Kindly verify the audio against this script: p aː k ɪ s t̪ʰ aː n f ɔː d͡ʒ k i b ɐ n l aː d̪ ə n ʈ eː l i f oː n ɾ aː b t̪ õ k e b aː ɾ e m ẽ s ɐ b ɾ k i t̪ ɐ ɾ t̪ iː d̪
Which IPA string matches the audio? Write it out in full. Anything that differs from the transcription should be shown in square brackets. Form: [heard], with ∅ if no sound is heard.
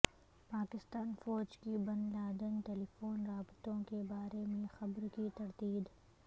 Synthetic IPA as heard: p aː k ɪ s [t̪] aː n f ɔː d͡ʒ k i b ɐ n l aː d̪ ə n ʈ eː l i f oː n ɾ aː b t̪ õ k e b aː ɾ e m ẽ [x] ɐ b ɾ k i t̪ ɐ ɾ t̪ iː d̪